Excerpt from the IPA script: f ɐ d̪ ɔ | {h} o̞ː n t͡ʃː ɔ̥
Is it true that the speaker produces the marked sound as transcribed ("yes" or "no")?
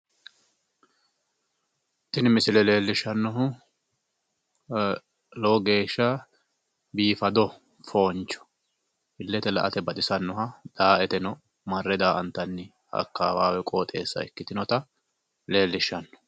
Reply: no